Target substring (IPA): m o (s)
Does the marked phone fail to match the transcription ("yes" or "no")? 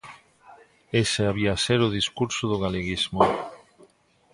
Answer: yes